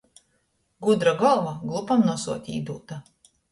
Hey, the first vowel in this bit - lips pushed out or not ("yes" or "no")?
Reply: yes